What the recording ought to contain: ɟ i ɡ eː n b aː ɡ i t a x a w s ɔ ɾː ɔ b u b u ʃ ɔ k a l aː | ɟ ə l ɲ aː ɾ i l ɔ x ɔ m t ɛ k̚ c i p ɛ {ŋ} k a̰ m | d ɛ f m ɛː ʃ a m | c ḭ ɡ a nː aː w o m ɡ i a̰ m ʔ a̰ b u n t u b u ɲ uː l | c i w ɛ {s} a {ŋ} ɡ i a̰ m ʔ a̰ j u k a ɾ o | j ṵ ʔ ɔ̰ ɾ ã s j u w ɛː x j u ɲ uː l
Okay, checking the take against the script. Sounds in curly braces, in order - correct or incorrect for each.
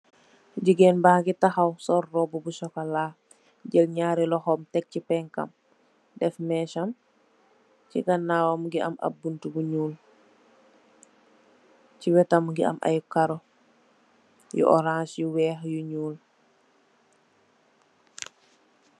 correct, incorrect: t, incorrect: m

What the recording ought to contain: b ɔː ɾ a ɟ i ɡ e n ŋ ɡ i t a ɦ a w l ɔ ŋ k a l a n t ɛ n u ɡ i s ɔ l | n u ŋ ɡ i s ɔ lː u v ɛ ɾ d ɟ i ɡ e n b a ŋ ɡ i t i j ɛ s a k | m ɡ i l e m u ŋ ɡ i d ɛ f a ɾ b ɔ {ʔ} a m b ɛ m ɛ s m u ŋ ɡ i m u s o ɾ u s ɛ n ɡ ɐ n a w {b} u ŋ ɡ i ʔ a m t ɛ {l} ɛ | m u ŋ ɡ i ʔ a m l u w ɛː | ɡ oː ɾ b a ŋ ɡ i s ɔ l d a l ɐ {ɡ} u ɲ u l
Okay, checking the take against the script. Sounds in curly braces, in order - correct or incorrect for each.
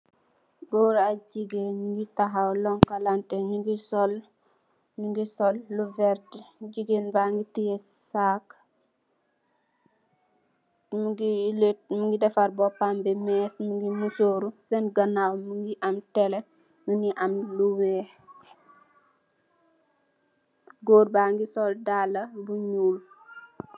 incorrect: p, incorrect: m, correct, incorrect: b

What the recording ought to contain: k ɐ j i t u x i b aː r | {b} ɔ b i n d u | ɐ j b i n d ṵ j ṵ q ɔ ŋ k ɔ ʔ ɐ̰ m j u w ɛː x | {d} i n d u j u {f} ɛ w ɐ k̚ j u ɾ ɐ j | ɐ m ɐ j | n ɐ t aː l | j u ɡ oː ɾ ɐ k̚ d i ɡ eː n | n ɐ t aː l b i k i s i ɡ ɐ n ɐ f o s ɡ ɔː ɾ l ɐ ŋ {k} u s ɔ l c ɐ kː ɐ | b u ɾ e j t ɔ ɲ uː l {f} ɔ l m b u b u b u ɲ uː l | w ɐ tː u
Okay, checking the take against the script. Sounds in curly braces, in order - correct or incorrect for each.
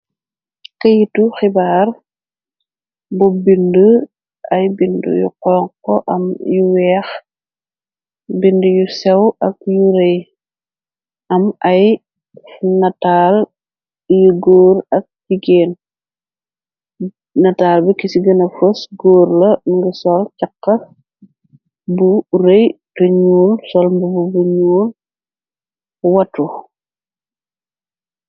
correct, incorrect: b, incorrect: s, incorrect: ɡ, incorrect: s

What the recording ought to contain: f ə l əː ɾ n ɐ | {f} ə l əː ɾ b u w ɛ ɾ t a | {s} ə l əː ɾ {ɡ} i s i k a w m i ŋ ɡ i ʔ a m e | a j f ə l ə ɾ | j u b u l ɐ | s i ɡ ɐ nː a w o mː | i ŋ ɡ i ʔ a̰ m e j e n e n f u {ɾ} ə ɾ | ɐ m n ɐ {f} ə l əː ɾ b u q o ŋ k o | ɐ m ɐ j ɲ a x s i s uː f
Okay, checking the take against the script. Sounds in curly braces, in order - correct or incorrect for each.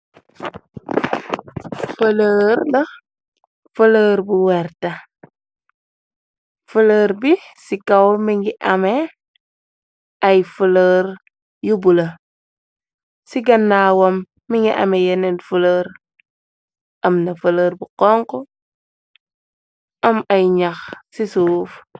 correct, incorrect: f, incorrect: b, incorrect: l, correct

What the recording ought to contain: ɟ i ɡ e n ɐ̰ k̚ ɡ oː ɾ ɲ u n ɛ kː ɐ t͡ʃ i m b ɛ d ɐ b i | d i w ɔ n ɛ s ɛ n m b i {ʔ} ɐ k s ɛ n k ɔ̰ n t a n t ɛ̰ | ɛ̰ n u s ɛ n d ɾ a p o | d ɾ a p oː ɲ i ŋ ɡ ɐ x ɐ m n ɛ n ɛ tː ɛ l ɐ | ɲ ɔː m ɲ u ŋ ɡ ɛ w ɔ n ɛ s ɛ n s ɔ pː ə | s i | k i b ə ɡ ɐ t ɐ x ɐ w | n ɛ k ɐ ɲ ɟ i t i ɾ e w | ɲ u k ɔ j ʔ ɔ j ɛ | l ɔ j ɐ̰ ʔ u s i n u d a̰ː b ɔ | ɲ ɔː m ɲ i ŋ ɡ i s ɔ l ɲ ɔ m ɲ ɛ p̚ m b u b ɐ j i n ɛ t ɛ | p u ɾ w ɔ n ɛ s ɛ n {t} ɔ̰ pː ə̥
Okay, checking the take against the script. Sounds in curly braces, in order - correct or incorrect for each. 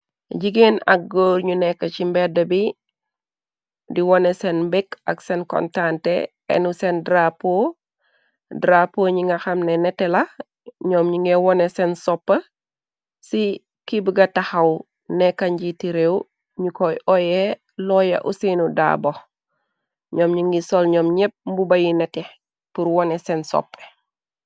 incorrect: k, incorrect: s

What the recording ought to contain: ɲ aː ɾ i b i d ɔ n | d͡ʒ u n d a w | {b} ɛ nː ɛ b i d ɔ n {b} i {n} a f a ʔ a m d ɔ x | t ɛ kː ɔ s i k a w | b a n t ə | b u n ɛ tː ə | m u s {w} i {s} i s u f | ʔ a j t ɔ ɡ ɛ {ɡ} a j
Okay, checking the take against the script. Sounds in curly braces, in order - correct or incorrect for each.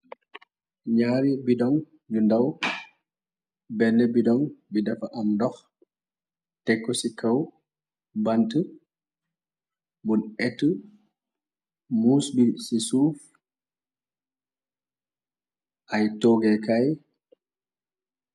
correct, correct, incorrect: d, incorrect: b, correct, incorrect: k

